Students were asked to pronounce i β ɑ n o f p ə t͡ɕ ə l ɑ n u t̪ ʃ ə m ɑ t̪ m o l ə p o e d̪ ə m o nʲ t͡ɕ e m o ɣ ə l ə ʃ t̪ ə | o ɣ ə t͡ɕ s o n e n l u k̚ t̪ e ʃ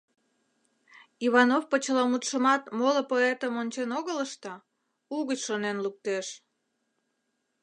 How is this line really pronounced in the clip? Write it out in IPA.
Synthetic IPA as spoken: i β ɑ n o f p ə t͡ɕ ə l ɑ m u t̪ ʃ ə m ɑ t̪ m o l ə p o e t̪ ə m o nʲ t͡ɕ e n o ɣ ə l ə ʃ t̪ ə | u ɣ ə t͡ɕ ʃ o n e n l u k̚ t̪ e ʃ